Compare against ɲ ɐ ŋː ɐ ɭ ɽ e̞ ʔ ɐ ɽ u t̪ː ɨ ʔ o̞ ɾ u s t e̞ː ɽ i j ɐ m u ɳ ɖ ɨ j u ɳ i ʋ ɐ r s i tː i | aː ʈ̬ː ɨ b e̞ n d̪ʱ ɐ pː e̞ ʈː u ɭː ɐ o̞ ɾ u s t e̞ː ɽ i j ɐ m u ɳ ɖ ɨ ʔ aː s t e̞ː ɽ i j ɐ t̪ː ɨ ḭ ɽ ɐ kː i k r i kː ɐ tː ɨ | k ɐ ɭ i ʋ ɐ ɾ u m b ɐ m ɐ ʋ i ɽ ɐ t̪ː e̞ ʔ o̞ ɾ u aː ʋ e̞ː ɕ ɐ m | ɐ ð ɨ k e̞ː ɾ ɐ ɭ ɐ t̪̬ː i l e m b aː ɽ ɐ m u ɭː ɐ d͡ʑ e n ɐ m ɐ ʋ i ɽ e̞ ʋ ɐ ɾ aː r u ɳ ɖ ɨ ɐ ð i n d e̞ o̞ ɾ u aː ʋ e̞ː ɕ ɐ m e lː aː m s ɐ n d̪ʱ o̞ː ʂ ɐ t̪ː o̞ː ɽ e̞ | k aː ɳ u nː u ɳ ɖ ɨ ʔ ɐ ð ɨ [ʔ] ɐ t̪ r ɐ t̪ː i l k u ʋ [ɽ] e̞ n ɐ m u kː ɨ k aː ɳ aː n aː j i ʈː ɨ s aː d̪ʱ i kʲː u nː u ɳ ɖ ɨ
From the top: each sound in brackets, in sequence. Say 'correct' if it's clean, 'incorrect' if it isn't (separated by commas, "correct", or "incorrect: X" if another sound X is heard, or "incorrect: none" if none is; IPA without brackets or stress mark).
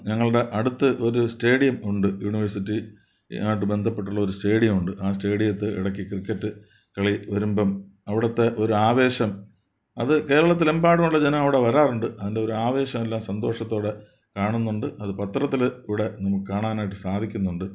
incorrect: p, correct